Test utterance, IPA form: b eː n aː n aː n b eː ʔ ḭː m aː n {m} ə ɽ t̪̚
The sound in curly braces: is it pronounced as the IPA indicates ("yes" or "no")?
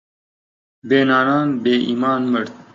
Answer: yes